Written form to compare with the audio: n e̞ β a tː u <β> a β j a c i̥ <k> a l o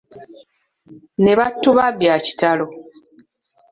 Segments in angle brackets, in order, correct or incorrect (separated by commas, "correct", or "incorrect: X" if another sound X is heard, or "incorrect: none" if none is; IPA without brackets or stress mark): correct, incorrect: t